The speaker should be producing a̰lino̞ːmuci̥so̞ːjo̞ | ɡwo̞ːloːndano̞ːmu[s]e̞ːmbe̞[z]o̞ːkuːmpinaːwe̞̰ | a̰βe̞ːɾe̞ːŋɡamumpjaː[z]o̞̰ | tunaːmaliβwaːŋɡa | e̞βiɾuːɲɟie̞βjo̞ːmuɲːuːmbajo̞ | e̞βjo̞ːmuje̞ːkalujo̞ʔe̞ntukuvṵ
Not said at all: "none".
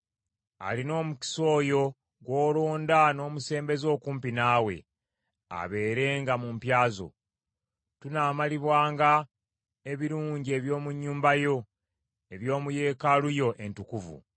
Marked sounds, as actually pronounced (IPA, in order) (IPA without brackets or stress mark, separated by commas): s, z, z